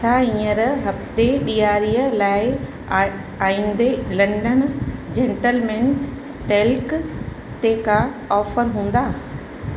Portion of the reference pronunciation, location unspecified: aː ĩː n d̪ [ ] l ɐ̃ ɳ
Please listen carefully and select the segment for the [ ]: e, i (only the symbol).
e